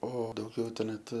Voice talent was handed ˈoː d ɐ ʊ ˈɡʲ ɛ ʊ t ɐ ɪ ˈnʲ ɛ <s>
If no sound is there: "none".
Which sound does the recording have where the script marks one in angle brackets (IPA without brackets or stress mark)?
t